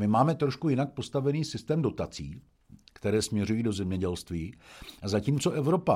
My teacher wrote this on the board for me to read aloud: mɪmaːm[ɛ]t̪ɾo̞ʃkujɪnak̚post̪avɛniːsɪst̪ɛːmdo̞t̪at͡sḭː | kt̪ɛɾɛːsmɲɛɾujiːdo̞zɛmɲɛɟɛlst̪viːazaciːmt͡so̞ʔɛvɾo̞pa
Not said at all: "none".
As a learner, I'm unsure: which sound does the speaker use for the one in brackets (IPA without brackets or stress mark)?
ɛ